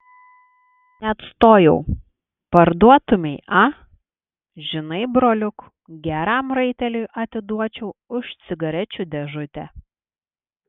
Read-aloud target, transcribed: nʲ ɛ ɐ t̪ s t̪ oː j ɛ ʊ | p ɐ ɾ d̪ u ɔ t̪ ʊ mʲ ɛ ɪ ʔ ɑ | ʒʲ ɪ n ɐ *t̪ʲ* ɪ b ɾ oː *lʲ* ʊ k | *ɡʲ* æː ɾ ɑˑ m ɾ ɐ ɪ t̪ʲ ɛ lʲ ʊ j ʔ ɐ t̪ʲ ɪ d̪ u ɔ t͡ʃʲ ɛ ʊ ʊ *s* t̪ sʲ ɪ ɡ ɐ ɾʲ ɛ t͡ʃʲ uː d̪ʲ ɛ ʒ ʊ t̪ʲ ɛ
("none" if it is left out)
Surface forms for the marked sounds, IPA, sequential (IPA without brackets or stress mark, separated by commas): none, lʲ, ɡʲ, ʃ